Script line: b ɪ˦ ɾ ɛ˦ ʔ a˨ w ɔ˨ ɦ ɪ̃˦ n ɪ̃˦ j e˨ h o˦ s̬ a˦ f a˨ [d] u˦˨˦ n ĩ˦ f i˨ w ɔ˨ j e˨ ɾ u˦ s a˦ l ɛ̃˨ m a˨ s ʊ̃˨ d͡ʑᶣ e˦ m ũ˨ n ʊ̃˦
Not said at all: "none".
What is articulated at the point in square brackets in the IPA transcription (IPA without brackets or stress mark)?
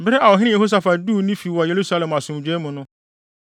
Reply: d